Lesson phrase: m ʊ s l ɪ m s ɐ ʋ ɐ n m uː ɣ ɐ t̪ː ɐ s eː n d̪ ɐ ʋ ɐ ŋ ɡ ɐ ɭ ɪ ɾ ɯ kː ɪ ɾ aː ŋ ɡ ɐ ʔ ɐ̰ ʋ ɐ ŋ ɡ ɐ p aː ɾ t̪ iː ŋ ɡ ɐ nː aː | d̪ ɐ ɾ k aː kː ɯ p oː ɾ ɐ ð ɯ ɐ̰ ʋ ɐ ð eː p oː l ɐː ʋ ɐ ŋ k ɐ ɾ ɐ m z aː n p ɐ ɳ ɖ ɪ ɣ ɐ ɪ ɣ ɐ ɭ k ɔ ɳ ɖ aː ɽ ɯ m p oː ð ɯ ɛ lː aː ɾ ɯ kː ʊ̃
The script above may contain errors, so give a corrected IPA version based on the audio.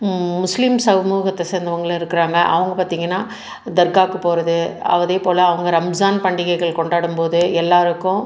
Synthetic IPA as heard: m ʊ s l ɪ m s ɐ ʋ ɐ m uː ɣ ɐ t̪ː ɐ s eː n d̪ ɐ ʋ ɐ ŋ ɡ ɐ ɭ ɪ ɾ ɯ kː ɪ ɾ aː ŋ ɡ ɐ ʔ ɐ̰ ʋ ɐ ŋ ɡ ɐ p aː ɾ t̪ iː ŋ ɡ ɐ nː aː | d̪ ɐ ɾ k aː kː ɯ p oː ɾ ɐ ð ɯ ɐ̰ ʋ ɐ ð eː p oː l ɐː ʋ ɐ ŋ ɡ ɐ ɾ ɐ m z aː n p ɐ ɳ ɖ ɪ ɣ ɐ ɪ ɣ ɐ ɭ k ɔ ɳ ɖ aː ɽ ɯ m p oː ð ɯ ɛ lː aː ɾ ɯ kː ʊ̃